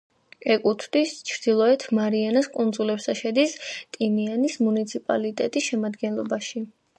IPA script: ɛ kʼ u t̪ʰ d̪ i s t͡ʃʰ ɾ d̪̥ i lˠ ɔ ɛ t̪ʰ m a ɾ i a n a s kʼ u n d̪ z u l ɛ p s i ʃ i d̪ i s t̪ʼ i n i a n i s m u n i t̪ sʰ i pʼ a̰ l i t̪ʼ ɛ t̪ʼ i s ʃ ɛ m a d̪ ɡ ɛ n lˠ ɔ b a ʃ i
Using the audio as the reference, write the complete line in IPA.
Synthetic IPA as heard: ɛ kʼ u t̪ʰ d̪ i s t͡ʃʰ ɾ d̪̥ i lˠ ɔ ɛ t̪ʰ m a ɾ i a n a s kʼ u n d̪ z u l ɛ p s a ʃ ɛ d̪ i s t̪ʼ i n i a n i s m u n i t̪ sʰ i pʼ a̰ l i t̪ʼ ɛ t̪ʼ i s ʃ ɛ m a d̪ ɡ ɛ n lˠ ɔ b a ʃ i

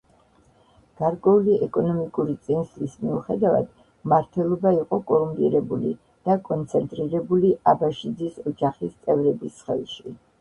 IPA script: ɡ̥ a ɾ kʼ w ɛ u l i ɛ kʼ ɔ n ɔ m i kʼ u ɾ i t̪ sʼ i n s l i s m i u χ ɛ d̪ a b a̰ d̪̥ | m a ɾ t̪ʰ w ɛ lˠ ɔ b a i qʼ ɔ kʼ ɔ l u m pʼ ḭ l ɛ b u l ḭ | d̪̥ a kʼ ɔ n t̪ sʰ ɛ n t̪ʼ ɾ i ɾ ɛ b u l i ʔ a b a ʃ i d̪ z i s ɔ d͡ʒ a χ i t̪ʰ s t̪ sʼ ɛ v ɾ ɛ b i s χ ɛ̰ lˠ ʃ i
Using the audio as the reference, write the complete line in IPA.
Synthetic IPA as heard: ɡ̥ a ɾ kʼ w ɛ u l i ɛ kʼ ɔ n ɔ m i kʼ u ɾ i t̪ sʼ i n s l i s m i u χ ɛ d̪ a v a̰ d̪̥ | m a ɾ t̪ʰ w ɛ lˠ ɔ b a i qʼ ɔ kʼ ɔ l u m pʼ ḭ ɾ ɛ b u l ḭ | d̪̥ a kʼ ɔ n t̪ sʰ ɛ n t̪ʼ ɾ i ɾ ɛ b u l i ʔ a b a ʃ i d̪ z i s ɔ d͡ʒ a χ i s t̪ sʼ ɛ v ɾ ɛ b i s χ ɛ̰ lˠ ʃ i

